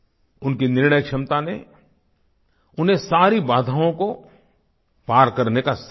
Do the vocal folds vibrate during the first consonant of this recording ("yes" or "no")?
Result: yes